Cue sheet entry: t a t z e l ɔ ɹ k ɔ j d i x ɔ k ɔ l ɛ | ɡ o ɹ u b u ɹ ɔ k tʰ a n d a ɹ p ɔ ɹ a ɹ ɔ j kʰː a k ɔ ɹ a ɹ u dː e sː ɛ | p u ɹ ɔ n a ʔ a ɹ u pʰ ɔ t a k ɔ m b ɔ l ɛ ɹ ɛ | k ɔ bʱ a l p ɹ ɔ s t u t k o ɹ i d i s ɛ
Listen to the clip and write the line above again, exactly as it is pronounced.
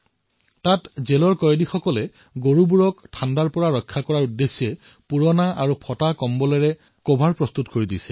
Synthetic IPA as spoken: t a t z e l ɔ ɹ k ɔ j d i x ɔ k ɔ l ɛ | ɡ o ɹ u b u ɹ ɔ k tʰ a n d a ɹ p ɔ ɹ a ɹ ɔ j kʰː a k ɔ ɹ a ɹ u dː e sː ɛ | p u ɹ ɔ n a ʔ a ɹ u pʰ ɔ t a k ɔ m b ɔ l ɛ ɹ ɛ | k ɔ bʱ a ɹ p ɹ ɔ s t u t k o ɹ i d i s ɛ